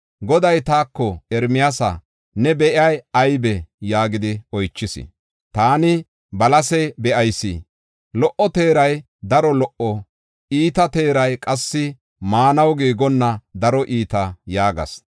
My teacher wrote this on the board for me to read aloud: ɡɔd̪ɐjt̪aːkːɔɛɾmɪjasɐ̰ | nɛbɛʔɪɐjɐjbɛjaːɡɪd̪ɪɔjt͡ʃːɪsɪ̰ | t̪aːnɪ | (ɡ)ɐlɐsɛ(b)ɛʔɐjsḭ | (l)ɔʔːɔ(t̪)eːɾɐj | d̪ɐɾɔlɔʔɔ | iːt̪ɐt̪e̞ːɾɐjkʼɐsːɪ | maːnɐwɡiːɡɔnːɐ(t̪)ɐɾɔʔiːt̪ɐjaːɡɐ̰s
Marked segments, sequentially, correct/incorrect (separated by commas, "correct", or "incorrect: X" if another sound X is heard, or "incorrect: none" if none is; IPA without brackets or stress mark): incorrect: b, correct, correct, correct, incorrect: d̪